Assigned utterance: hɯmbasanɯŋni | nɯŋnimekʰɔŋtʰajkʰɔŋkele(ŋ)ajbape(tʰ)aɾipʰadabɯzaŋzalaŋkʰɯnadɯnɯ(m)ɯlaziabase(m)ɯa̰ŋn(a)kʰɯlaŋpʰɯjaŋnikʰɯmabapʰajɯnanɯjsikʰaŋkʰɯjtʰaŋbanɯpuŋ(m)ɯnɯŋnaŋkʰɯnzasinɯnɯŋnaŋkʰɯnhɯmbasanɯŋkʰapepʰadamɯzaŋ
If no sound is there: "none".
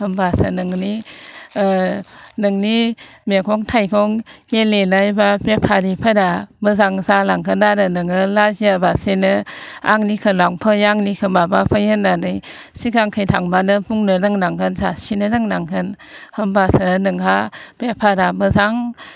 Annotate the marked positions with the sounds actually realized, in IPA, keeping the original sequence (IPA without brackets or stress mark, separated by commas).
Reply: n, pʰ, ŋ, n, i, n